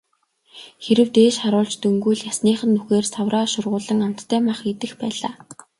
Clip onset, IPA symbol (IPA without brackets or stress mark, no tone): x